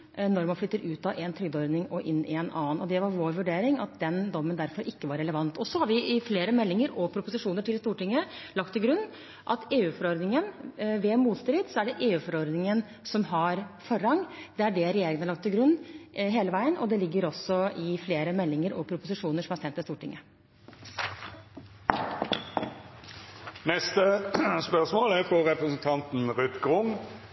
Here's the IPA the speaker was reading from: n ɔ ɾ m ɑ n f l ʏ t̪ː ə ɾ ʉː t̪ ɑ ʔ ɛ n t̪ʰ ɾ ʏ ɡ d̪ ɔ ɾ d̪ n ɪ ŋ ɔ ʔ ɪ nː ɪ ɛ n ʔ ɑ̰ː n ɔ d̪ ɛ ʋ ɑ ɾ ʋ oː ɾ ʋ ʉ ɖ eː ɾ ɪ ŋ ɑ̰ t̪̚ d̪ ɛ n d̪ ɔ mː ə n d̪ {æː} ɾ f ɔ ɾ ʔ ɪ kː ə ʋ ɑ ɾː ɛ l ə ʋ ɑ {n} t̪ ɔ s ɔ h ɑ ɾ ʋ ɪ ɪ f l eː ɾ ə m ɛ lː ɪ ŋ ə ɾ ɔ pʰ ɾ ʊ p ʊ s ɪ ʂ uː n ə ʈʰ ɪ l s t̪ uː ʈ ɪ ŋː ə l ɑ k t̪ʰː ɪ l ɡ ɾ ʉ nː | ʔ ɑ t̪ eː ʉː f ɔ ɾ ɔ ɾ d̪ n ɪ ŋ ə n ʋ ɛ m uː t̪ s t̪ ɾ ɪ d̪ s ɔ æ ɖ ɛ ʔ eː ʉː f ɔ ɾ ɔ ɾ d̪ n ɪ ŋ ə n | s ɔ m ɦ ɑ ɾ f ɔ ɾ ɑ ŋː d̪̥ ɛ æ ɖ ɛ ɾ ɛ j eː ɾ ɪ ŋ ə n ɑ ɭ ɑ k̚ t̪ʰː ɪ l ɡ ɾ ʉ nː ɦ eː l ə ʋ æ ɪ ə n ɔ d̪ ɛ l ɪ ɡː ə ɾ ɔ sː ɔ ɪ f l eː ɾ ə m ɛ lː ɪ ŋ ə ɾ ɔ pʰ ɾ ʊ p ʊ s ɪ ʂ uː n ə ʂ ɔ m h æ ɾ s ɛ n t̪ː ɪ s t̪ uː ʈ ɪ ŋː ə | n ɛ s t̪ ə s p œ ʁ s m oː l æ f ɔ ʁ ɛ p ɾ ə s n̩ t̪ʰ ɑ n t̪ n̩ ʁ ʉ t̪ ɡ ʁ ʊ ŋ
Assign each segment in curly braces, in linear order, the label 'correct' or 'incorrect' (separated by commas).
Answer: incorrect, correct